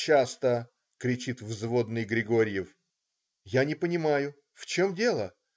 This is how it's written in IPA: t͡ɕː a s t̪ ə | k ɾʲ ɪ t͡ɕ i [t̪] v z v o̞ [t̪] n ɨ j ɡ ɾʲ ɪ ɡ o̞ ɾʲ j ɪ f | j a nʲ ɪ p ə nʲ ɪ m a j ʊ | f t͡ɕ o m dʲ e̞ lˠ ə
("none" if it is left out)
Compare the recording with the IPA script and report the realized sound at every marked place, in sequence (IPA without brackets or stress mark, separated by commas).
t̪, d̪